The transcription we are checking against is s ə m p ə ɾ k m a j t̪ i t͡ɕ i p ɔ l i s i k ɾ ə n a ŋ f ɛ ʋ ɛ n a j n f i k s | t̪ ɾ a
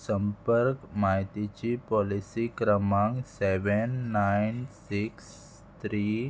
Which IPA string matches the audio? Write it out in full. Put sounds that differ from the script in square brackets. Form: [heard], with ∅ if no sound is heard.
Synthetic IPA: s ə m p ə ɾ k m a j t̪ i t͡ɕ i p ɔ l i s i k ɾ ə [m] a ŋ [s] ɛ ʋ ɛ [nː] a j n [s] i k s | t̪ ɾ [i]